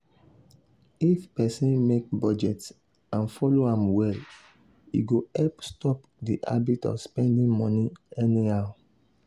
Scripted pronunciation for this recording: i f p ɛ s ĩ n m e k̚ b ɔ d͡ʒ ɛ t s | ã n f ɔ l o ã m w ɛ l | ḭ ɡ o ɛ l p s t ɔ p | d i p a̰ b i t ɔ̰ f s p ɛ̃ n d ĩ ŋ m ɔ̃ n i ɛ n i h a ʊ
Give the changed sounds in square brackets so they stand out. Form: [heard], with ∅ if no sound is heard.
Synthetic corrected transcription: i f p ɛ s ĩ n m e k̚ b ɔ d͡ʒ ɛ t s | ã n f ɔ l o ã m w ɛ l | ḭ ɡ o ɛ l p s t ɔ p | d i [ʔ] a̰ b i t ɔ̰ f s p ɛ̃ n d ĩ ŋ m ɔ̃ n i ɛ n i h a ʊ